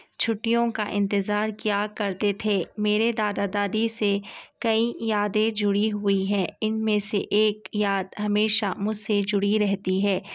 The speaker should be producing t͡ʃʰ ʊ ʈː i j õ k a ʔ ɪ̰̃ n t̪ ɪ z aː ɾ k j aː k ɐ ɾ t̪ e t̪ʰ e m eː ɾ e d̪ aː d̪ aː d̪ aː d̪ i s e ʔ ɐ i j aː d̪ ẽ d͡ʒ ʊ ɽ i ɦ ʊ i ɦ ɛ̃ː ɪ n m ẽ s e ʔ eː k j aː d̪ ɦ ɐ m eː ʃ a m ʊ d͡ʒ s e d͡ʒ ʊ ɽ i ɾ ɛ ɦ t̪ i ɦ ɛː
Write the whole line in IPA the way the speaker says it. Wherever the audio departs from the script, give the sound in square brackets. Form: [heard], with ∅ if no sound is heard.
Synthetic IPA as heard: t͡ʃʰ ʊ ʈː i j õ k a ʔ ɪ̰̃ n t̪ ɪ z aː ɾ k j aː k ɐ ɾ t̪ e t̪ʰ e m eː ɾ e d̪ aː d̪ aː d̪ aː d̪ i s e [k] ɐ i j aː d̪ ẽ d͡ʒ ʊ ɽ i ɦ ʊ i ɦ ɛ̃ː ɪ n m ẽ s e ʔ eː k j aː d̪ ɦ ɐ m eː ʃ a m ʊ d͡ʒ s e d͡ʒ ʊ ɽ i ɾ ɛ ɦ t̪ i ɦ ɛː